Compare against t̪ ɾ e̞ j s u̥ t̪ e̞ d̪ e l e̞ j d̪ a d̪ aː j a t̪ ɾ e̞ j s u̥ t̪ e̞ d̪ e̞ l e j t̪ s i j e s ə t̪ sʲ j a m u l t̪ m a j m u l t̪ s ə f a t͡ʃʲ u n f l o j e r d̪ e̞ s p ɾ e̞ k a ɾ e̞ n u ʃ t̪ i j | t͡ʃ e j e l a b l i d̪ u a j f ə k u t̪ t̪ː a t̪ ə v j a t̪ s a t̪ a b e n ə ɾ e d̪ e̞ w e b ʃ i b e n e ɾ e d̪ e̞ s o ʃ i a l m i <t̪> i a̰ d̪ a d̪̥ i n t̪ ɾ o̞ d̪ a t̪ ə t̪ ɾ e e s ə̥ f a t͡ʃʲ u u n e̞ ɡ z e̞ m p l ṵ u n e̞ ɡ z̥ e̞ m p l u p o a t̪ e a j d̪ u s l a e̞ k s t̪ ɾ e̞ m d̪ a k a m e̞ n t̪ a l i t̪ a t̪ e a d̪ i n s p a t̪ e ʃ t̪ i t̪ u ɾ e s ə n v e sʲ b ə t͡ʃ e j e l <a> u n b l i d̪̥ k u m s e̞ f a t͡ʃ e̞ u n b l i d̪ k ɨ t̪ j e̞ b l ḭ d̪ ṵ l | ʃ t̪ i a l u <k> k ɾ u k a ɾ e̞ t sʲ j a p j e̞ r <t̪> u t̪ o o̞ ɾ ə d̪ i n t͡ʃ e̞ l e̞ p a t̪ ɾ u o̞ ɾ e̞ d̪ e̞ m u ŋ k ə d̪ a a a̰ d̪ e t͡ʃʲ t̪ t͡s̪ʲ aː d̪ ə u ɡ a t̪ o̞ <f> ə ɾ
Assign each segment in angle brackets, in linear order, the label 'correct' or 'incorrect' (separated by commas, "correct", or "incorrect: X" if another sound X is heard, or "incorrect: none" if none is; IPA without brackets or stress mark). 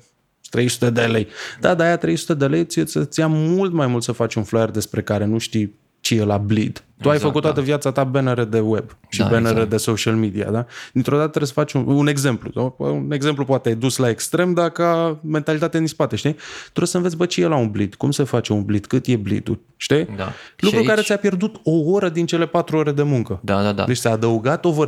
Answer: incorrect: d̪, correct, correct, incorrect: d̪, incorrect: v